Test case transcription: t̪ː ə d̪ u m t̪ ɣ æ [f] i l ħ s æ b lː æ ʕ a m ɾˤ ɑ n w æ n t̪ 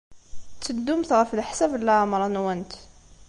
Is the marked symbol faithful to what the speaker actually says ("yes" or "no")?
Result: yes